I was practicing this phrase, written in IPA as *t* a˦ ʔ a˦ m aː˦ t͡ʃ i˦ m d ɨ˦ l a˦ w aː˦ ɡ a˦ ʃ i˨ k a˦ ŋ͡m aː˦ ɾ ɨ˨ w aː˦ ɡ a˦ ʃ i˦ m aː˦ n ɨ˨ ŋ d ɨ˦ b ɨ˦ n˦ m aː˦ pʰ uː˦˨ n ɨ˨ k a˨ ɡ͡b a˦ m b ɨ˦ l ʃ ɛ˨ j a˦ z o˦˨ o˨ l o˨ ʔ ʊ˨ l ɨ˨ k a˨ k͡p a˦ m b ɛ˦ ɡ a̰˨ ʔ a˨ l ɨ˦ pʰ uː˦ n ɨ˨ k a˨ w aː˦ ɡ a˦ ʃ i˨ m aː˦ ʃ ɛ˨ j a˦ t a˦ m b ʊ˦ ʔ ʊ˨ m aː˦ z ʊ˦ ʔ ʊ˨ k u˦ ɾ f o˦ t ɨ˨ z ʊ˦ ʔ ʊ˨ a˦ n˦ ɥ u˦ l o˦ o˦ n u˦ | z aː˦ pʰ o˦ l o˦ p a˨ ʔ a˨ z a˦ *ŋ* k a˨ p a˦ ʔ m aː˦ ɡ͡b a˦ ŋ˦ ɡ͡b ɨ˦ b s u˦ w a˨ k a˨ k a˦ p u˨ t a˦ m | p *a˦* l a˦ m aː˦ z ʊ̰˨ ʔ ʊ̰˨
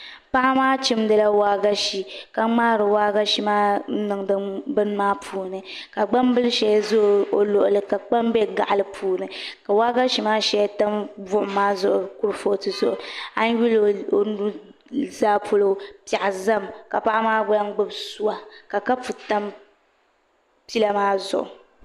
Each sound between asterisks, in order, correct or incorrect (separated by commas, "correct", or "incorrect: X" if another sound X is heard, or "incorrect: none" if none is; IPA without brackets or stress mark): incorrect: p, incorrect: m, incorrect: i˦